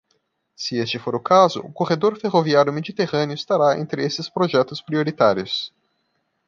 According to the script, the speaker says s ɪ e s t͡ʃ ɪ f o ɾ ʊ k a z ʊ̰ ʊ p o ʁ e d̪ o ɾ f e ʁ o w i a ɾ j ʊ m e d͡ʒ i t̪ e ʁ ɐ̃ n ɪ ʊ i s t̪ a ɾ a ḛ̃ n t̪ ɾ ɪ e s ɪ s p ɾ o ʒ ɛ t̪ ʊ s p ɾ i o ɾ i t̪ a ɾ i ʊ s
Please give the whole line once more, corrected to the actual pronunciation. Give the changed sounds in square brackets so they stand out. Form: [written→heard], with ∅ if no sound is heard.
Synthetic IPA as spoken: s ɪ e s t͡ʃ ɪ f o ɾ ʊ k a z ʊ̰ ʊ [p→k] o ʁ e d̪ o ɾ f e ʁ o [w→v] i a ɾ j ʊ m e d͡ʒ i t̪ e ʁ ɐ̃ n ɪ ʊ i s t̪ a ɾ a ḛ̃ n t̪ ɾ ɪ e s ɪ s p ɾ o ʒ ɛ t̪ ʊ s p ɾ i o ɾ i t̪ a ɾ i ʊ s